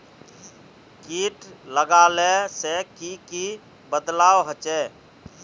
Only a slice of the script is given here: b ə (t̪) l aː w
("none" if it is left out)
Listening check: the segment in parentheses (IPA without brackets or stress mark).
d̪